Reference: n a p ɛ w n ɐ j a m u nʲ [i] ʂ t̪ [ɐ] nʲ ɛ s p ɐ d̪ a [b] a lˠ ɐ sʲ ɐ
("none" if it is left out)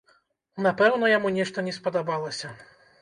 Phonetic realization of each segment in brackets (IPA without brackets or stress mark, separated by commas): ɛ, ɐ, b